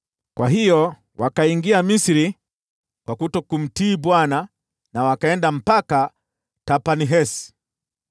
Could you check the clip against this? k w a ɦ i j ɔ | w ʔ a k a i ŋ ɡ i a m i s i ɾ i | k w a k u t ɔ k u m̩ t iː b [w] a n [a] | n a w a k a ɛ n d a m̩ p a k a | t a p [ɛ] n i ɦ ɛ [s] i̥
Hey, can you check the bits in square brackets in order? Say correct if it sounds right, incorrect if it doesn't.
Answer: correct, correct, incorrect: a, correct

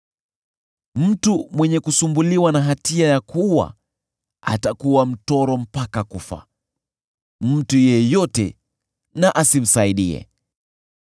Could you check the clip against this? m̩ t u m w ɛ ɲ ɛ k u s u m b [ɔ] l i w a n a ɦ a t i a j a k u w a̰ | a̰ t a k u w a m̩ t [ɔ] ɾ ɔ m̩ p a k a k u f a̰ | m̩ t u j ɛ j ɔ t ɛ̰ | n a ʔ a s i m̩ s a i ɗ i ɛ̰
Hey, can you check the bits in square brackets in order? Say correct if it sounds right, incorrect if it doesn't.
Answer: incorrect: u, correct

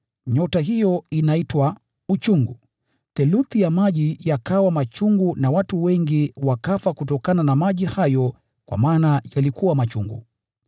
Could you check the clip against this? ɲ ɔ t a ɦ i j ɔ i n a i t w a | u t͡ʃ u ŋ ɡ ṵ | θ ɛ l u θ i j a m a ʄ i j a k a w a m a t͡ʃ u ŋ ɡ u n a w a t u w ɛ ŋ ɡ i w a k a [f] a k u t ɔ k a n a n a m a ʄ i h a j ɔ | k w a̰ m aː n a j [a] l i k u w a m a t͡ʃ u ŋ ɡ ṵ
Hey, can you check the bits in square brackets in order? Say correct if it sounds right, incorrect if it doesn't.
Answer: correct, correct

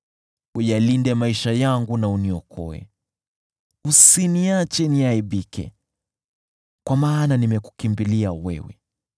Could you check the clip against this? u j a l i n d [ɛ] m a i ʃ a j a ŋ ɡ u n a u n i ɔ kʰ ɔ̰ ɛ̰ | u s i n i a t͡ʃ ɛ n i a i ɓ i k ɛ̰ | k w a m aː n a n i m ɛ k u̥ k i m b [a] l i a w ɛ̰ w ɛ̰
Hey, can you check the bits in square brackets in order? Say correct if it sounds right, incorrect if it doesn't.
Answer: correct, incorrect: i

